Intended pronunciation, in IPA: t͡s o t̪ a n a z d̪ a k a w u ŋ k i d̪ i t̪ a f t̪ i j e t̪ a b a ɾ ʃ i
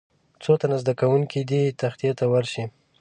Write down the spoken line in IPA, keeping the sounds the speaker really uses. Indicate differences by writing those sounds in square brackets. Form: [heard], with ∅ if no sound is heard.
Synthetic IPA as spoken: t͡s o t̪ a n a z d̪ a k a w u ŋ k i d̪ i t̪ a [x] t̪ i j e t̪ a [w] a ɾ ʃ i